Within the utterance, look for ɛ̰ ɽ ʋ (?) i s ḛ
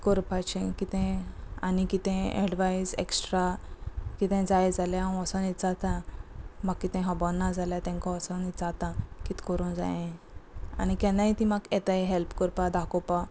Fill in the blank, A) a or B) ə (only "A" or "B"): A